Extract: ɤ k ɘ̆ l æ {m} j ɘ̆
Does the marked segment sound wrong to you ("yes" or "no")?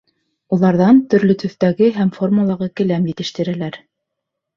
no